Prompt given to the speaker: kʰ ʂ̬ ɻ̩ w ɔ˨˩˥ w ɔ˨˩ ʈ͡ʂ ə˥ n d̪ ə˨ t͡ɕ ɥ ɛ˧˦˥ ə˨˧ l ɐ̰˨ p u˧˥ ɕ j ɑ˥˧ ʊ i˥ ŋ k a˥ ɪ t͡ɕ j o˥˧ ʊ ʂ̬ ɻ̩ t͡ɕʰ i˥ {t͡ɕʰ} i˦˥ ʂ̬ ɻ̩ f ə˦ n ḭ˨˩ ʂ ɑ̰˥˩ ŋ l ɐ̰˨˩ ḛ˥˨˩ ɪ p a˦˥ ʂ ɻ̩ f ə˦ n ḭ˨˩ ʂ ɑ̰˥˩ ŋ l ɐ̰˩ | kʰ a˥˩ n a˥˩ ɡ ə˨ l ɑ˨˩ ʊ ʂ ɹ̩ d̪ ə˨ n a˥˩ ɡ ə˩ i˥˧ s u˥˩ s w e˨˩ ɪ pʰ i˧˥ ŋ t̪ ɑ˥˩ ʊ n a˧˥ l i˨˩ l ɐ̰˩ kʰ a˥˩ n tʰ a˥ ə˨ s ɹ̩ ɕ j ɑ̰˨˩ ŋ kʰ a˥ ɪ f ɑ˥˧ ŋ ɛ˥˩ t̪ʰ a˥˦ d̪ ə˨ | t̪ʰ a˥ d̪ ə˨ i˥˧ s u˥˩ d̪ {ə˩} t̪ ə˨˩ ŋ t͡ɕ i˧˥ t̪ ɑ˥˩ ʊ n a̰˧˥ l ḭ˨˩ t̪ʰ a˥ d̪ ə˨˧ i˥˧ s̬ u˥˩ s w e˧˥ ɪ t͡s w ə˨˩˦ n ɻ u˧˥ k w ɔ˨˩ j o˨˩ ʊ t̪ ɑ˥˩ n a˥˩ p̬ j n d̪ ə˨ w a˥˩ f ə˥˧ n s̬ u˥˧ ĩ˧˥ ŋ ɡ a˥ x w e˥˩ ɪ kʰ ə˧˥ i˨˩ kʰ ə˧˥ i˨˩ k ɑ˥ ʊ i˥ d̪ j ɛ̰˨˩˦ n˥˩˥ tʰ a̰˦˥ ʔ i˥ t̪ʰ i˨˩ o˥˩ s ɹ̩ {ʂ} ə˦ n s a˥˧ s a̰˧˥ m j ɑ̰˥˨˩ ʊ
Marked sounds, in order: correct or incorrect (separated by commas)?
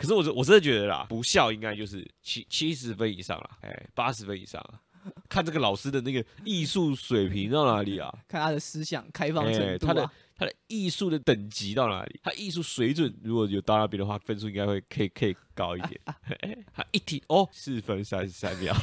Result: correct, correct, incorrect